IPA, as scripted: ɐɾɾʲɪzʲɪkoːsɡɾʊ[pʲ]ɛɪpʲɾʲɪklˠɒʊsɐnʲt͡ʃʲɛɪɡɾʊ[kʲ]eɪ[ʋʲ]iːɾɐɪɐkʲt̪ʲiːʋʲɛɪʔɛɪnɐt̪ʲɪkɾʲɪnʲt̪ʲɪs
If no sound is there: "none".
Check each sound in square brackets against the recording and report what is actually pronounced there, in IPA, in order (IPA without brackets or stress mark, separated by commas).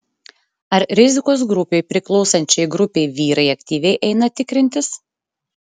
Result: pʲ, pʲ, ʋʲ